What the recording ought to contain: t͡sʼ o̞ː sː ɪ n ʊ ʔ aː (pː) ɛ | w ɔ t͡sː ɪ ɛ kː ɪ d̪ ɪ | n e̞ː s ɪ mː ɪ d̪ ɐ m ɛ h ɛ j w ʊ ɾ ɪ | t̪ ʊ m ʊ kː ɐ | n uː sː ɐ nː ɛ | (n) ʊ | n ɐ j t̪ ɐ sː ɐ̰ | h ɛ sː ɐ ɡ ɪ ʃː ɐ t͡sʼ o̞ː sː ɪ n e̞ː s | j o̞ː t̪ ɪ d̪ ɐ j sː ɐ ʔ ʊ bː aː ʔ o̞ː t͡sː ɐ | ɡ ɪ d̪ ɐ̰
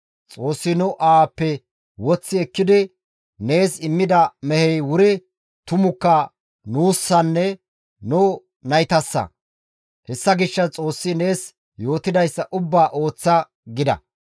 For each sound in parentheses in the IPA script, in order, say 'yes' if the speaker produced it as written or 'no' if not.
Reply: yes, yes

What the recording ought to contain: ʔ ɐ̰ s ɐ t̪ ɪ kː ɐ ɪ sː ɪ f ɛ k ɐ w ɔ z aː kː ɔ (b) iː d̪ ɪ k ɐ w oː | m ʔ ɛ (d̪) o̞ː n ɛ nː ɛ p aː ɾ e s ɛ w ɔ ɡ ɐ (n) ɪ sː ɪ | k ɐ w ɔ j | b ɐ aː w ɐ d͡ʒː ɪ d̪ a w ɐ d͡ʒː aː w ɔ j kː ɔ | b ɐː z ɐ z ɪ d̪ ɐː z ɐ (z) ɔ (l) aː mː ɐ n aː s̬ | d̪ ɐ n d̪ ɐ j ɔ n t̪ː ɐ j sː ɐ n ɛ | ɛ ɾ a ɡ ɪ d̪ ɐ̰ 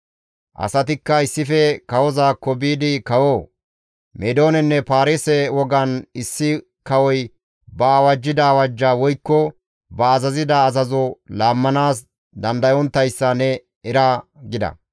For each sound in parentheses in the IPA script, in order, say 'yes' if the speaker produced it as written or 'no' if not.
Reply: yes, yes, yes, yes, yes

